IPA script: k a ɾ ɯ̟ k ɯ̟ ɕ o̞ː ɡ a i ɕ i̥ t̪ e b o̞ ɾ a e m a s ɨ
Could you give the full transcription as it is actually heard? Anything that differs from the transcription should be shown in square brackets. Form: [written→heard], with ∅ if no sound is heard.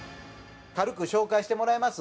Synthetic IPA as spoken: k a ɾ ɯ̟ k ɯ̟ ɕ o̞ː [ɡ→k] a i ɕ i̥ t̪ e [b→m] o̞ ɾ a e m a s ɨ